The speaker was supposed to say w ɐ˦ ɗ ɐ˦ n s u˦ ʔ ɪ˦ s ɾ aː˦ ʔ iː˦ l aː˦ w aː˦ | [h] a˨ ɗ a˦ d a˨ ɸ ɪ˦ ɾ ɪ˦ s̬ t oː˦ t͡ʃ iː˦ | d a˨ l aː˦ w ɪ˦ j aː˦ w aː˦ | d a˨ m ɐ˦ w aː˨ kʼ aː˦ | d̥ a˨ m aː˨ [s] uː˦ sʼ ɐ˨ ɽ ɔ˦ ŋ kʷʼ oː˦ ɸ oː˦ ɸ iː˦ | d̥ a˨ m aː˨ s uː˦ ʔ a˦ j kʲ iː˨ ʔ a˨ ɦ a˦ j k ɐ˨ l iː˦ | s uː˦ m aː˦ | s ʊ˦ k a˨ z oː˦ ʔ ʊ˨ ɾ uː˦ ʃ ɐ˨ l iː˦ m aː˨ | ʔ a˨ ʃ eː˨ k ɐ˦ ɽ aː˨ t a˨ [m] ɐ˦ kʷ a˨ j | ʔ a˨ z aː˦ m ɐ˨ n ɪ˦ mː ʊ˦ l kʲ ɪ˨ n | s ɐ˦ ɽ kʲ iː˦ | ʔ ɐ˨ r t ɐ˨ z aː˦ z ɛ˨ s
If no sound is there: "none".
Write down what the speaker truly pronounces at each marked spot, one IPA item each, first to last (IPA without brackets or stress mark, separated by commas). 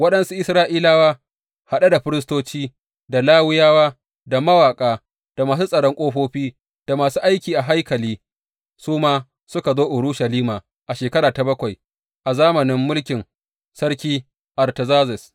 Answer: h, s, b